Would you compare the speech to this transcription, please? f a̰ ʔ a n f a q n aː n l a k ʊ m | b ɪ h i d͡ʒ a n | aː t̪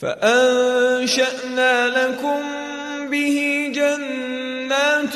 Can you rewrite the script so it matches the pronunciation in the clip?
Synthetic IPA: f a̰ ʔ a n ʃ a ʔ n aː l a k ʊ m | b ɪ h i d͡ʒ a nː | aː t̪